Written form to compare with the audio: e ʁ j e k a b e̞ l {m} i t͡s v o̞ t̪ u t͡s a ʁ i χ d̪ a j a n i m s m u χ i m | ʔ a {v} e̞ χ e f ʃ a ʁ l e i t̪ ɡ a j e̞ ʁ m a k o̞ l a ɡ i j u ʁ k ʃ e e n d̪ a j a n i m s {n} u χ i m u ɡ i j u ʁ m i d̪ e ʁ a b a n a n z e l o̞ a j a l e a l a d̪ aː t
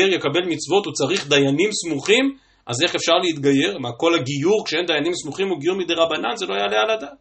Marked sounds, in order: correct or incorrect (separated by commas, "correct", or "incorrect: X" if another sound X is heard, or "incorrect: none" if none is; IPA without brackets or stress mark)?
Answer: correct, incorrect: z, incorrect: m